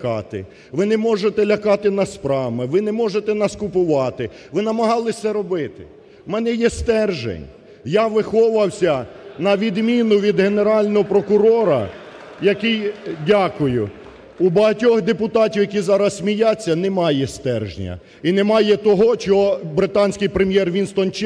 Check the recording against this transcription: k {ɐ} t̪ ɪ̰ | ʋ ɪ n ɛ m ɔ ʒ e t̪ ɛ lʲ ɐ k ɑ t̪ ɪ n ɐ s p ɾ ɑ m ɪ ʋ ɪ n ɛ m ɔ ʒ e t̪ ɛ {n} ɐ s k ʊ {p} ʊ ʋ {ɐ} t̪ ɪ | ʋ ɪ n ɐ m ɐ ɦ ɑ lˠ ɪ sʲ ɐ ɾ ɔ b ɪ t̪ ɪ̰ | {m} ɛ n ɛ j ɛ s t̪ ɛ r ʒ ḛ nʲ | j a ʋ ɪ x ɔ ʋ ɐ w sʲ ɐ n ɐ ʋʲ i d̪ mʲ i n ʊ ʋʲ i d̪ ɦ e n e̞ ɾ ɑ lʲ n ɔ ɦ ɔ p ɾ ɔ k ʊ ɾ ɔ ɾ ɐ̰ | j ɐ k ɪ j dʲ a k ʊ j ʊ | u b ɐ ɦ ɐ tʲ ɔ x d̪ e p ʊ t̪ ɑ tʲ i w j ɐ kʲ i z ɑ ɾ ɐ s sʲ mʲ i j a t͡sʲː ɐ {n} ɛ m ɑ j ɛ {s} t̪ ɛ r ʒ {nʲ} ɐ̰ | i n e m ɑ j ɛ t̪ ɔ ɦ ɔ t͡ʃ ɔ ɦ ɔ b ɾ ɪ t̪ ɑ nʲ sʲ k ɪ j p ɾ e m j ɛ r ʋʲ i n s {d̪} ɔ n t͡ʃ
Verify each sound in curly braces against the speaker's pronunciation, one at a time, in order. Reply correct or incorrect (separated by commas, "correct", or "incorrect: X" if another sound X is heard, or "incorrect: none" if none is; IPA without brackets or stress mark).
incorrect: ɑ, correct, correct, incorrect: ɑ, correct, correct, correct, correct, incorrect: t̪